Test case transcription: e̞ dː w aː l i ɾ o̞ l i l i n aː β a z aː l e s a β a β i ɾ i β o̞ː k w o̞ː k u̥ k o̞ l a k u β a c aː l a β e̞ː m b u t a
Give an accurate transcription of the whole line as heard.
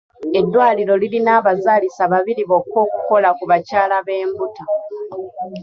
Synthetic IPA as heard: e̞ dː w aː l i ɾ o̞ l i l i n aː β a z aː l i s a β a β i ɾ i β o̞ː k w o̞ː k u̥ k o̞ l a k u β a c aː l a β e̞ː m b u t a